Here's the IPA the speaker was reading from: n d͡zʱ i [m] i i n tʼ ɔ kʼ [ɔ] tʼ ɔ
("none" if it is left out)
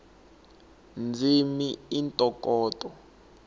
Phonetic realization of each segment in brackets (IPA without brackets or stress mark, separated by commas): m, ɔː